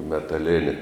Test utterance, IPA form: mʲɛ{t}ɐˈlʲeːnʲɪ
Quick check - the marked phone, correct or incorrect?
correct